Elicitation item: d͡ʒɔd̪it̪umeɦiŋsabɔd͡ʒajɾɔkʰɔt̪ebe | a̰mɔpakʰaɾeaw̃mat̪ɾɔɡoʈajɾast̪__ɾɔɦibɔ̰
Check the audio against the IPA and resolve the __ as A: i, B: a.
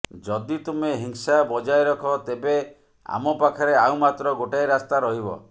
B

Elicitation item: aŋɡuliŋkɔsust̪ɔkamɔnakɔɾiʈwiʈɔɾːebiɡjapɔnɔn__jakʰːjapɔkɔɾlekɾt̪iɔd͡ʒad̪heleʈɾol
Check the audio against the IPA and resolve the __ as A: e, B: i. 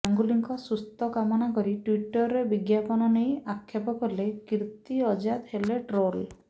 A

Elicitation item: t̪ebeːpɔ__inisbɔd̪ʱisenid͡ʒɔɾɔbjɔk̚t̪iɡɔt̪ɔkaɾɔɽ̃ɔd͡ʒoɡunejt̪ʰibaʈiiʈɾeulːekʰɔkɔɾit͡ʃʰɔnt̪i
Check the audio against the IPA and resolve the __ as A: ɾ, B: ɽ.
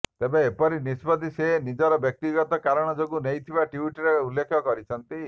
A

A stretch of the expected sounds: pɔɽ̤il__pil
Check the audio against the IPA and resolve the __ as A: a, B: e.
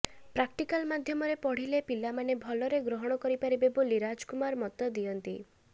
B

